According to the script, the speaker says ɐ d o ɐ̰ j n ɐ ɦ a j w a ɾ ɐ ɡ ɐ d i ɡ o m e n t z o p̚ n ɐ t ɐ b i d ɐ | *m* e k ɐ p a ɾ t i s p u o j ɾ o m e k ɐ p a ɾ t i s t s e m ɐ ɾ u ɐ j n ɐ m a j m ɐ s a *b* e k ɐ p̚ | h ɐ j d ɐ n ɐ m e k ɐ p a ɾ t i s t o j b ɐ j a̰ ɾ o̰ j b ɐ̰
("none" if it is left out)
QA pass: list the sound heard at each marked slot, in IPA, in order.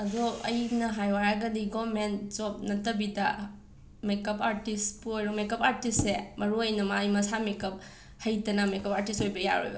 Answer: m, m

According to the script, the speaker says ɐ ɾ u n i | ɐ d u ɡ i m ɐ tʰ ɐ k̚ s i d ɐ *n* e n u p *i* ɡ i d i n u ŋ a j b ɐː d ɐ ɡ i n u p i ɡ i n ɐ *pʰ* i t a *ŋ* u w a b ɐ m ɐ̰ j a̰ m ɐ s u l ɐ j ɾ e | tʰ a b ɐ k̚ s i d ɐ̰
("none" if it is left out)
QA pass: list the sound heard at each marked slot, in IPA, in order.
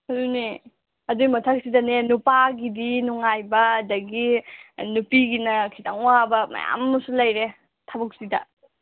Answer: n, a, kʰ, ŋ

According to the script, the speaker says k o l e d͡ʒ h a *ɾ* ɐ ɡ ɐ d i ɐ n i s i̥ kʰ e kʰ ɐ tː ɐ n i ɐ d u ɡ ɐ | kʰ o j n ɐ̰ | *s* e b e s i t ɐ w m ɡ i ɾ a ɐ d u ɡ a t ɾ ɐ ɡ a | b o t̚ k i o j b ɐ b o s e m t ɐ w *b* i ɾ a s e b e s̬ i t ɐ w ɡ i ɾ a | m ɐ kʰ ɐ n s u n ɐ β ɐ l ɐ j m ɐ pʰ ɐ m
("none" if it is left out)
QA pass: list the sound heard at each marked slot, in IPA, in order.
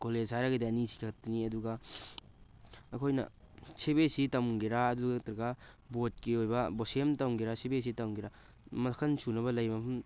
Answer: ɾ, s, ɡ

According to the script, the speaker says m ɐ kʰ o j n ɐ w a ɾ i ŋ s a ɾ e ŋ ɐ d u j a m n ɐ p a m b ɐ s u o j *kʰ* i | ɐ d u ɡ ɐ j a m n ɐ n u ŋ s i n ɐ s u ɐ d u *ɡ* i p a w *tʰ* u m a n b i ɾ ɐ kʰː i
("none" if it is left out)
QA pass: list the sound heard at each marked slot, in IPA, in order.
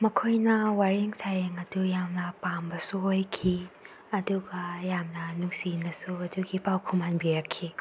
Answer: kʰ, ɡ, kʰ

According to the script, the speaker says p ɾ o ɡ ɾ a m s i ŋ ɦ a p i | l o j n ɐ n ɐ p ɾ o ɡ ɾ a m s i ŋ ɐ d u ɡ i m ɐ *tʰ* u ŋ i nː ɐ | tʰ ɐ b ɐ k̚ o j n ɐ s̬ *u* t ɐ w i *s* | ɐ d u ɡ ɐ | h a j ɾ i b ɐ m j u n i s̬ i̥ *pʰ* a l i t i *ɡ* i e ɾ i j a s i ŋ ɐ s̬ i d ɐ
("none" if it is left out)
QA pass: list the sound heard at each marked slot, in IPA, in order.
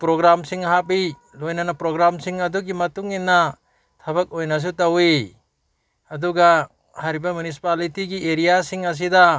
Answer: t, u, none, p, ɡ

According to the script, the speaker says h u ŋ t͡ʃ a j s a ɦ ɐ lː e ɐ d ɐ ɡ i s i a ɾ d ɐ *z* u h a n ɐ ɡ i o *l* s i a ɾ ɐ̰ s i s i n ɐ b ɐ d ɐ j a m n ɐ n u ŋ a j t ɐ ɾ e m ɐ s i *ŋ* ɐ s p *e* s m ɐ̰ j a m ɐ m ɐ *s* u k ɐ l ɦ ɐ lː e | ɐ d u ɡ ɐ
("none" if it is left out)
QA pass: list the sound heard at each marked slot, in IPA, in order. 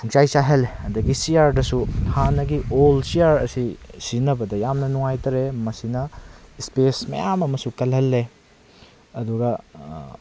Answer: s, l, n, e, s

